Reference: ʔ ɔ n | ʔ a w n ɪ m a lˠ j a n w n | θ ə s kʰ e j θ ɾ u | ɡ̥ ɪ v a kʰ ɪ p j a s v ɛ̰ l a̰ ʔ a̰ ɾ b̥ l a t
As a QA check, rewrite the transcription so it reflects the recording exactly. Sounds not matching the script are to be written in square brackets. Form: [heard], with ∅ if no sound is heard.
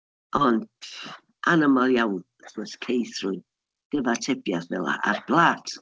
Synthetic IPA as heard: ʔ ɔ n | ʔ a [∅] n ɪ m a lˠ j a [∅] w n | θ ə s kʰ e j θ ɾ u | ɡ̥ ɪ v a [tʰ] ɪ p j a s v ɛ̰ l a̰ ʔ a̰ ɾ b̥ l a t